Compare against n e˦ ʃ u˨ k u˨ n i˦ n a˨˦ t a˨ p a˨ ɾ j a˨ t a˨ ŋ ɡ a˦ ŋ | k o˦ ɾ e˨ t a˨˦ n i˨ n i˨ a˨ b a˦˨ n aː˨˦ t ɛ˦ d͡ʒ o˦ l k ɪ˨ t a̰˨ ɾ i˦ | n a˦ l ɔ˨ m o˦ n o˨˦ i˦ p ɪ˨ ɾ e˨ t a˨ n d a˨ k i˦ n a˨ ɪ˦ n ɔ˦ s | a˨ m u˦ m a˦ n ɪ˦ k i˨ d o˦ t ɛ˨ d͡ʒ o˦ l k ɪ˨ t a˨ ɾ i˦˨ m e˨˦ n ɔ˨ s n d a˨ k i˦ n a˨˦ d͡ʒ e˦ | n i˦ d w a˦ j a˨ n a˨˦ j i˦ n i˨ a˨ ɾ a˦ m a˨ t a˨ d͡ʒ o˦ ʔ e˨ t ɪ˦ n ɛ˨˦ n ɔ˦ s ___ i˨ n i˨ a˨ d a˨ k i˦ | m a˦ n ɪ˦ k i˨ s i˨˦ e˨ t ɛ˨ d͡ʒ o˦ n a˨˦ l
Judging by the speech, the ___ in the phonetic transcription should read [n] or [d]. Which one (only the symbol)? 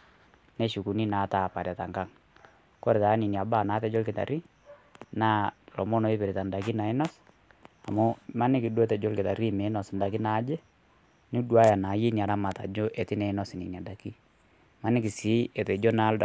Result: n